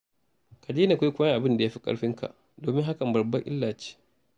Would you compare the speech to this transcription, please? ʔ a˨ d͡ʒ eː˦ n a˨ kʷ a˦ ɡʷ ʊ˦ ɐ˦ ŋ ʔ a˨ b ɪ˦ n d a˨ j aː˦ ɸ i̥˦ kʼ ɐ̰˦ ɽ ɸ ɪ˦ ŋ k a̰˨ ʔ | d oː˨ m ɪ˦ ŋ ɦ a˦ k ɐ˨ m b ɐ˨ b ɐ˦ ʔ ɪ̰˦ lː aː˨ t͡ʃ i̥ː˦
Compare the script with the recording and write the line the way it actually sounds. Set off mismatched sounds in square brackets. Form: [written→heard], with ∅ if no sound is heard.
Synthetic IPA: [ʔ→k] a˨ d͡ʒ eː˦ n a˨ kʷ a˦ [ɡʷ→kʷ] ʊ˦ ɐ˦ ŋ ʔ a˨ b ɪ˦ n d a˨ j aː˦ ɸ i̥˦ kʼ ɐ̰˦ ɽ ɸ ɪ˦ ŋ k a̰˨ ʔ | d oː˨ m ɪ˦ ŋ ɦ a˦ k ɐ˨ m b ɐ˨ b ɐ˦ ʔ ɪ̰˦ lː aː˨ t͡ʃ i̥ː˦

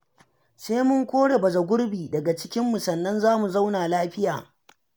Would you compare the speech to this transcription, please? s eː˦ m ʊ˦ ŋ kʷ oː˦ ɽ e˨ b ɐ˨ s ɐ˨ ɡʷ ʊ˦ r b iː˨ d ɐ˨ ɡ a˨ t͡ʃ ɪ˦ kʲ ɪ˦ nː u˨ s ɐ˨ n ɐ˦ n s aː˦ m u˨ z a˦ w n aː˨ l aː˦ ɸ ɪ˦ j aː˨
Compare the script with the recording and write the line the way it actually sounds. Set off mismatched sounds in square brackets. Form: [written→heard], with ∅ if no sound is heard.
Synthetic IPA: s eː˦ m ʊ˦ ŋ kʷ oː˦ ɽ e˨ b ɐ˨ [s→z] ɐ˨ ɡʷ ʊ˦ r b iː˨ d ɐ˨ ɡ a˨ t͡ʃ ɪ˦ kʲ ɪ˦ [nː→mː] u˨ s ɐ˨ [n→nː] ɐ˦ n [s→z] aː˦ m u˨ z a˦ w n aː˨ l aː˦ ɸ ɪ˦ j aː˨

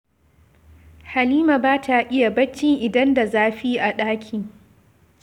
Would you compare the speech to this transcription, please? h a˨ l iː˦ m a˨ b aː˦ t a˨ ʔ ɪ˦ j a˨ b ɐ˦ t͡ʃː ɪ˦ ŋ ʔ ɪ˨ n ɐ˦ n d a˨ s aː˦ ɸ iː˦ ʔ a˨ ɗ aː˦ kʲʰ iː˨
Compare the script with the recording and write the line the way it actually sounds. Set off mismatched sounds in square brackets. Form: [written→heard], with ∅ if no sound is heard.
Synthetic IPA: h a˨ l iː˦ m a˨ b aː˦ t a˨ ʔ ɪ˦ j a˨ b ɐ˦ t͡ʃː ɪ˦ ŋ ʔ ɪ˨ [n→d] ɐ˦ n d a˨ [s→z] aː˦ ɸ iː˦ ʔ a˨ ɗ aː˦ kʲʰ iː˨

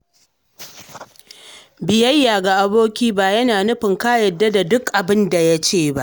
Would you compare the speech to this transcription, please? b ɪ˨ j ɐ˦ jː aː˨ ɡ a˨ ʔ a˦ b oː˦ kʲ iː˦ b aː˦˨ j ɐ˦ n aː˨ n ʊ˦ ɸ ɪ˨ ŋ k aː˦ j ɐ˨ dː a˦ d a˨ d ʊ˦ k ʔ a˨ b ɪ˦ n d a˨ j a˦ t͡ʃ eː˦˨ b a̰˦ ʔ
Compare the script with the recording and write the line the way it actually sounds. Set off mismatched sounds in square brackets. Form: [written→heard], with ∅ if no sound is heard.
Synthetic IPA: b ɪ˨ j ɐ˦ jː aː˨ ɡ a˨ ʔ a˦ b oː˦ kʲ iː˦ b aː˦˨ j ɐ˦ n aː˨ n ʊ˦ ɸ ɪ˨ ŋ k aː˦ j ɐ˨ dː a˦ d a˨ d ʊ˦ k ʔ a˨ b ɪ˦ n d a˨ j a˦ t͡ʃ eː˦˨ b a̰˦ ʔ

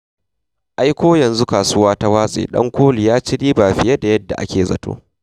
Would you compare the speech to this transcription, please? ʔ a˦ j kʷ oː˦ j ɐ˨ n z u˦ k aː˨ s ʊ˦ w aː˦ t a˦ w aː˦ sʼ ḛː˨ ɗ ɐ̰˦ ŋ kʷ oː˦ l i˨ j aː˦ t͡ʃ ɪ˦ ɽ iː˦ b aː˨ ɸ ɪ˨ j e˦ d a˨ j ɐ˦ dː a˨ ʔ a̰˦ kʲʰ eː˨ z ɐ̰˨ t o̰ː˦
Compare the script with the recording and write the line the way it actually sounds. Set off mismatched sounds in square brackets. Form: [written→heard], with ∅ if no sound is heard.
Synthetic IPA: ʔ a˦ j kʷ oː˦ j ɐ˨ n z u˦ k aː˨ s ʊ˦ w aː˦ t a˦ w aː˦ sʼ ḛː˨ ɗ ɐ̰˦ ŋ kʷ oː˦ l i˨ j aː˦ t͡ʃ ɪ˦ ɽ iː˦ b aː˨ ɸ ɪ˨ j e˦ d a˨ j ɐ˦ dː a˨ ʔ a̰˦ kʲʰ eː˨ z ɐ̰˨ t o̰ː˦

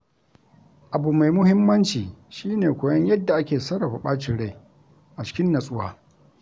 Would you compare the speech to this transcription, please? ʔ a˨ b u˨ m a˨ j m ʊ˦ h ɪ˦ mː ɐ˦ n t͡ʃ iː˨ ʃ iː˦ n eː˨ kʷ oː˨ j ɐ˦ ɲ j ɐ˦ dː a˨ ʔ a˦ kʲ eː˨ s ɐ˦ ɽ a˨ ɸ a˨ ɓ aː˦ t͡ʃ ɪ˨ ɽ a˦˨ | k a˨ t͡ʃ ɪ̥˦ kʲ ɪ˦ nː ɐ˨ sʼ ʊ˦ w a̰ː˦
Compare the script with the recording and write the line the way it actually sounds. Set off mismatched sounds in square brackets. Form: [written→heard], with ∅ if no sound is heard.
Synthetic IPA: ʔ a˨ b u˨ m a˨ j m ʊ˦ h ɪ˦ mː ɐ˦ n t͡ʃ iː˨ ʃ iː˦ n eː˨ kʷ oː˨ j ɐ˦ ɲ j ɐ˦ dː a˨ ʔ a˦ kʲ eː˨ s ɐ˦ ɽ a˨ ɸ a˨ ɓ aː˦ t͡ʃ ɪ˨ ɽ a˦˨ | [k→ʔ] a˨ t͡ʃ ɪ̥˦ kʲ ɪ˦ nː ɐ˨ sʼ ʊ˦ w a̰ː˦

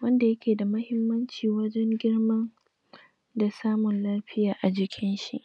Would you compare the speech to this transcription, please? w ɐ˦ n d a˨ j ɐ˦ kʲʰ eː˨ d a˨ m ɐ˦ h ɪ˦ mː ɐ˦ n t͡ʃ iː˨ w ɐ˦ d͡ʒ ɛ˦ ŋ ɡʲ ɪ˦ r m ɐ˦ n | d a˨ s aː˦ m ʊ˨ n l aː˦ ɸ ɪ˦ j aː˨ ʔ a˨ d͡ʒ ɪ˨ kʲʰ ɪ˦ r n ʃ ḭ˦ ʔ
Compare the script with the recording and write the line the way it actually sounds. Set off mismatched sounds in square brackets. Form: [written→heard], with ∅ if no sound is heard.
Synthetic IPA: w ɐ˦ n d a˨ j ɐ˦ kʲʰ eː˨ d a˨ m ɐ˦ h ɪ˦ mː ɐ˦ n t͡ʃ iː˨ w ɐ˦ d͡ʒ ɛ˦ ŋ ɡʲ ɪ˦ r m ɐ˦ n | d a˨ s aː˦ m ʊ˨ n l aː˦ ɸ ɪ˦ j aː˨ ʔ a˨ d͡ʒ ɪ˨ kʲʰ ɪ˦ [r→∅] n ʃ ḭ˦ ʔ

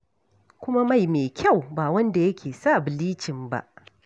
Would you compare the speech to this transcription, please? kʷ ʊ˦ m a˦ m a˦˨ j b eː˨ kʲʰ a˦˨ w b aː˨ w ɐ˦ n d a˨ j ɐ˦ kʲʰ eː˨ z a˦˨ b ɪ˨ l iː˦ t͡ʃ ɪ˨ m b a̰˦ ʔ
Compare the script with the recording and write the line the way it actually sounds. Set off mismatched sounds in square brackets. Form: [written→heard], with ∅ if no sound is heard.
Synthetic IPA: kʷ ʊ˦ m a˦ m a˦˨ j [b→m] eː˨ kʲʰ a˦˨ w b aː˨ w ɐ˦ n d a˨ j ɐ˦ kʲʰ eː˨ [z→s] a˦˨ b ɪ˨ l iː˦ t͡ʃ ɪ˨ m b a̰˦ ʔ

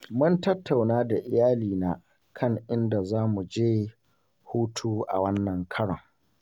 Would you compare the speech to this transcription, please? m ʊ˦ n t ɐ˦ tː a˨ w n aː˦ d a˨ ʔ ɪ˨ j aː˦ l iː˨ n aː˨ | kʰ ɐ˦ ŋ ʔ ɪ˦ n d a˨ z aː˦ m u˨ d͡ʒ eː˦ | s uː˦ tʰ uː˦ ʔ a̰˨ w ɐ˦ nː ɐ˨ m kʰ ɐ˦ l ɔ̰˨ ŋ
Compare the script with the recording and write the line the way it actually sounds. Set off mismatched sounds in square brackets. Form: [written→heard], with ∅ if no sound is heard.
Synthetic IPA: m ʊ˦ n t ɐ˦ tː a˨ w n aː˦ d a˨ ʔ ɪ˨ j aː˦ l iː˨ n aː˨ | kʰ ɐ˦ ŋ ʔ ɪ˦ n d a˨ z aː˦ m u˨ d͡ʒ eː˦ | [s→h] uː˦ tʰ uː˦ ʔ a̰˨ w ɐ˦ nː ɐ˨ [m→ŋ] kʰ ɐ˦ [l→ɽ] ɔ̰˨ ŋ

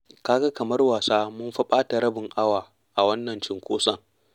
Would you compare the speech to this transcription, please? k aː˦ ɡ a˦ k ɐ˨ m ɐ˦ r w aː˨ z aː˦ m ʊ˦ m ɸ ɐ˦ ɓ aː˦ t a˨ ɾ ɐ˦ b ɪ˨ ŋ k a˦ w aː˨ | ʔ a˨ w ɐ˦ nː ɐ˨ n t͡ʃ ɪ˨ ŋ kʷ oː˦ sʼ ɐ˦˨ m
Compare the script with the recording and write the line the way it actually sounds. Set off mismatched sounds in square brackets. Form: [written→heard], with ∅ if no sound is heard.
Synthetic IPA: k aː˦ ɡ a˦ k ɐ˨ m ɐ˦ r w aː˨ [z→s] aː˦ m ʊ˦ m ɸ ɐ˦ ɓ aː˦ t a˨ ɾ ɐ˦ b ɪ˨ ŋ [k→ʔ] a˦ w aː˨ | ʔ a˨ w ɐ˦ nː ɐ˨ n t͡ʃ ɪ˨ ŋ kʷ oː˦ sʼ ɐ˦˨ [m→ŋ]

